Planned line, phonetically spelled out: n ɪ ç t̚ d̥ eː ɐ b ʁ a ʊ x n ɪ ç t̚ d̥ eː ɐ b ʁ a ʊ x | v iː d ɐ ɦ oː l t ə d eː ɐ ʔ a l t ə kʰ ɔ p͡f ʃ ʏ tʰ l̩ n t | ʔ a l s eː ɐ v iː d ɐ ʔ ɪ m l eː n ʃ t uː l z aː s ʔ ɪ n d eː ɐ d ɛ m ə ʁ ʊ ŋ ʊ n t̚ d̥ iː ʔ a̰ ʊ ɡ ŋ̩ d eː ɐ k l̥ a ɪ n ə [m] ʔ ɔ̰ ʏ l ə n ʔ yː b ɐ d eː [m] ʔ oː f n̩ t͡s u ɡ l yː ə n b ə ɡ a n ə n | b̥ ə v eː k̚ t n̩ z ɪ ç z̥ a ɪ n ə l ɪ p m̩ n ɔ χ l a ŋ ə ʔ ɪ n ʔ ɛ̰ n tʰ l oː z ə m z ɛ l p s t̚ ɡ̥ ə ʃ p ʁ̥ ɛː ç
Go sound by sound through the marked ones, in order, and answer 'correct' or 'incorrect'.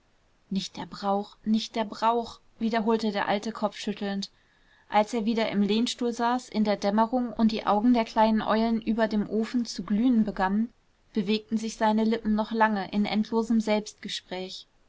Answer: incorrect, correct

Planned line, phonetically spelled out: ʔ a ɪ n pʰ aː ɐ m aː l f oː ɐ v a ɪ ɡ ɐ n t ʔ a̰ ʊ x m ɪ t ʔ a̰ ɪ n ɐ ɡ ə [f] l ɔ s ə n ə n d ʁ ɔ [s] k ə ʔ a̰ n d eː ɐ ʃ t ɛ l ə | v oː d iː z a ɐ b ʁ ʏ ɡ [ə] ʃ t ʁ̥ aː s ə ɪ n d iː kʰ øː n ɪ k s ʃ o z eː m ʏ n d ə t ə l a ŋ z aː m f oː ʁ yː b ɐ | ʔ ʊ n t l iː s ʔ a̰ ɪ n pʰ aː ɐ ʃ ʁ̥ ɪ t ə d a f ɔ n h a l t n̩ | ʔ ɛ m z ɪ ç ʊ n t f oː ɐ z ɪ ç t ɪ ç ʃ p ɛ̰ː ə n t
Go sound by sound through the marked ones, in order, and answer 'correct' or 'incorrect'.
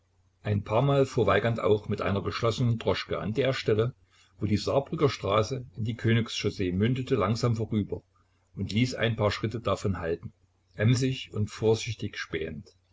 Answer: incorrect, incorrect, incorrect

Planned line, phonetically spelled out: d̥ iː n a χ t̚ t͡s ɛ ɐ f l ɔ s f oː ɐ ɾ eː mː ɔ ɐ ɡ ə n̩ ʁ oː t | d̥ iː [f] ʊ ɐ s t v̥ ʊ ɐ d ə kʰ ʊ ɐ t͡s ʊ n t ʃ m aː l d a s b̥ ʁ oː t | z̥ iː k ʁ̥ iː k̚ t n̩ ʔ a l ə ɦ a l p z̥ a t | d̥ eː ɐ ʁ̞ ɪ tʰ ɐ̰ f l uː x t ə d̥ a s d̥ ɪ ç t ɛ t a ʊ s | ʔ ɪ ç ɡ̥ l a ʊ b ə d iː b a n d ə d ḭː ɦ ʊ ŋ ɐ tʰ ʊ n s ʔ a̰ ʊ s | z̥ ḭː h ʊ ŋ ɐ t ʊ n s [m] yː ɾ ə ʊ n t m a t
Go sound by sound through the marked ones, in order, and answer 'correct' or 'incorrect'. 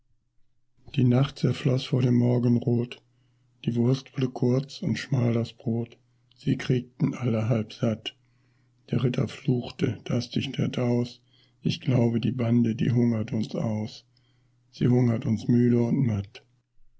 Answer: incorrect, correct

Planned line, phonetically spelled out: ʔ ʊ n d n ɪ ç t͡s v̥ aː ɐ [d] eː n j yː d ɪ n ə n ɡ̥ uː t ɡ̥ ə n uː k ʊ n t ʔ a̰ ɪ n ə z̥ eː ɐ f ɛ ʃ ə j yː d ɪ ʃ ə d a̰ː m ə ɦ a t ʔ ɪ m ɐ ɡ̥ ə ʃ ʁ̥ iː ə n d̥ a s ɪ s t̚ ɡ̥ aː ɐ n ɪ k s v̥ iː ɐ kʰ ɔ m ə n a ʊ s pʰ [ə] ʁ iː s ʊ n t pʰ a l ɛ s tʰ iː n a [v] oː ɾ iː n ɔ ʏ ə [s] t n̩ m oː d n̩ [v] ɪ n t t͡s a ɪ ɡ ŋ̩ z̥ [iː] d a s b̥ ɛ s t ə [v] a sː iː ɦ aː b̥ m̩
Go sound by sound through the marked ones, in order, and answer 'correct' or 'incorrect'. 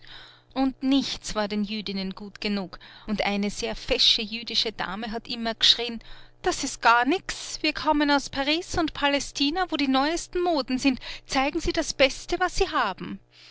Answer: correct, incorrect, correct, correct, incorrect, correct, correct

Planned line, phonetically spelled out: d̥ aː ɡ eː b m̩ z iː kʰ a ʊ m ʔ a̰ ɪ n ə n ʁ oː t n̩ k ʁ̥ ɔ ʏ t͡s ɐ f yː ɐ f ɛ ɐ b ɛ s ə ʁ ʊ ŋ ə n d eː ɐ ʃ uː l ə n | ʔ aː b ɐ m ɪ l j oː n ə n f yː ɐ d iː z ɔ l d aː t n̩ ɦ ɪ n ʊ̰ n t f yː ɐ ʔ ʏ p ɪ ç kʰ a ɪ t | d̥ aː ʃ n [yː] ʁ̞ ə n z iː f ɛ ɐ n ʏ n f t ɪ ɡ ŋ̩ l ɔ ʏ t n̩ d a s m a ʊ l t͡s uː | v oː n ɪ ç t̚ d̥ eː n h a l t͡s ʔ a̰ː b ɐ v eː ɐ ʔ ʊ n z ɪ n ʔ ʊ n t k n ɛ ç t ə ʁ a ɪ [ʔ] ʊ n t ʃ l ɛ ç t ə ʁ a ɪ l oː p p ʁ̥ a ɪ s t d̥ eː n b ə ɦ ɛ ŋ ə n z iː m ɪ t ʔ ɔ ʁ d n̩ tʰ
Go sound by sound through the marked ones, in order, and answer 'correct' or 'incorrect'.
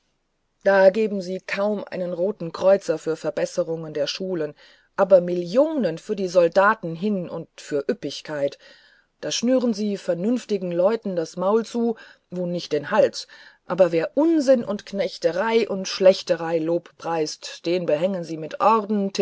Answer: correct, correct

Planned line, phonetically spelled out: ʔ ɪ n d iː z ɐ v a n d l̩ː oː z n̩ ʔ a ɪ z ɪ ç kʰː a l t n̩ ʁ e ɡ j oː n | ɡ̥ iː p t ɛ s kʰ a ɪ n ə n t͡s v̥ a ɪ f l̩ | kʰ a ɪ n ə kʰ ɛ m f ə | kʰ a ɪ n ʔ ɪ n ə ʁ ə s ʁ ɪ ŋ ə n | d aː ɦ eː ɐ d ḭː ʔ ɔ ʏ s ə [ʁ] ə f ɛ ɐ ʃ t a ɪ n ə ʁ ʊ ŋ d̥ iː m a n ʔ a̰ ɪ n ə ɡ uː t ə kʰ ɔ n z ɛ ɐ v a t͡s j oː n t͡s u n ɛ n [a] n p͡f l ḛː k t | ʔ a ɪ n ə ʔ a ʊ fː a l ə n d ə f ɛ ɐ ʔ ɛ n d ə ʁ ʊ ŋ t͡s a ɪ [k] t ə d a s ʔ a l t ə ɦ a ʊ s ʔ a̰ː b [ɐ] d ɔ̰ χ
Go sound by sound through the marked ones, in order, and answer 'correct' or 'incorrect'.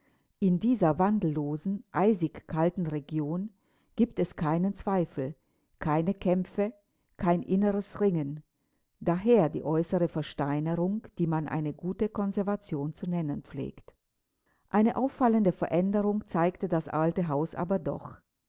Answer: correct, incorrect, correct, correct

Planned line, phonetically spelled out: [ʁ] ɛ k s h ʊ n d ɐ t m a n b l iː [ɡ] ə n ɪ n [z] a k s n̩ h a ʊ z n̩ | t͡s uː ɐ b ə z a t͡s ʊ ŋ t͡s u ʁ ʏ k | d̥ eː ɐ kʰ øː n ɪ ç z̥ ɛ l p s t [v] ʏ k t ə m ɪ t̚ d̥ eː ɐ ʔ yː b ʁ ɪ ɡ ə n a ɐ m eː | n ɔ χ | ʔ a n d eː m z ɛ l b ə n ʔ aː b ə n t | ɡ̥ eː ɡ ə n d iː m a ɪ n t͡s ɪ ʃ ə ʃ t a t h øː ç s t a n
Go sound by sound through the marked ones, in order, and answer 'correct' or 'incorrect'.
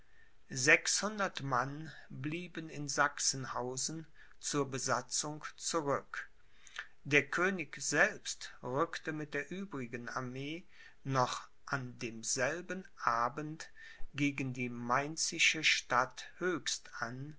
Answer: incorrect, incorrect, correct, incorrect

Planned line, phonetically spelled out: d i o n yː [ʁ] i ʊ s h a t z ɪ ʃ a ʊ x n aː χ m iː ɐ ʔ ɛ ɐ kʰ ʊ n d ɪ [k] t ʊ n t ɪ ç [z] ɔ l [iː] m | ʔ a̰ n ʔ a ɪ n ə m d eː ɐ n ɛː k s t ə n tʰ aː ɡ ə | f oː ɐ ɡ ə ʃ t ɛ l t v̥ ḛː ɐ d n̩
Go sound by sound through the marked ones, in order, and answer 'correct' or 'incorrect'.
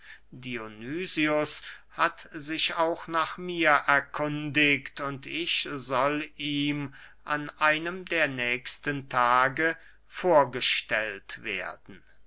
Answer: incorrect, correct, correct, correct

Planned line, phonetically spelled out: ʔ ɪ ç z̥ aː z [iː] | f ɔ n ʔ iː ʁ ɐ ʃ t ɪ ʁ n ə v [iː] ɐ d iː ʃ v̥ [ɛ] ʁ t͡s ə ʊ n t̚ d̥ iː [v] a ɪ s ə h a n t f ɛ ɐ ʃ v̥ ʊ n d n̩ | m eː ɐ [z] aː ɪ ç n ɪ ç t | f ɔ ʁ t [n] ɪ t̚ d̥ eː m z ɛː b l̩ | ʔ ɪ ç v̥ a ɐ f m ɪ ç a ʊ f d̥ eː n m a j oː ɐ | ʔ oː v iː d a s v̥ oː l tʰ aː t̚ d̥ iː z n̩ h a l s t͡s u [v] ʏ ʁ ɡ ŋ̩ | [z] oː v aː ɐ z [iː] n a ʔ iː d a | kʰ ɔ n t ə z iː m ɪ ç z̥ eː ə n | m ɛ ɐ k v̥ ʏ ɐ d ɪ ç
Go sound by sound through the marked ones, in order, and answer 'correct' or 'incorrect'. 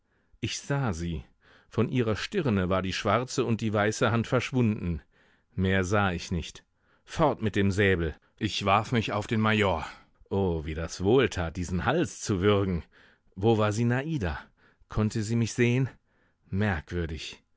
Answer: correct, incorrect, incorrect, correct, correct, incorrect, correct, incorrect, correct

